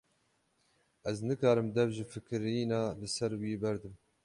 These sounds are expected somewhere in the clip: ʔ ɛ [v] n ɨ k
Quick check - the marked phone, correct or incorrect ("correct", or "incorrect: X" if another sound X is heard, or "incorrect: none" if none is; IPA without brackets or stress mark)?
incorrect: z